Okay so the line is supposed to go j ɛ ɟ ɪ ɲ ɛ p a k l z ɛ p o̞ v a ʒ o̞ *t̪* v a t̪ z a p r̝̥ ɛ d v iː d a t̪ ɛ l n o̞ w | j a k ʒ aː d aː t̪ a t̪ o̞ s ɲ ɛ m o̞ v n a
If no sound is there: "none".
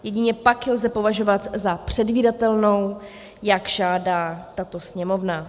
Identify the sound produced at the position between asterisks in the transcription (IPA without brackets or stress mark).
none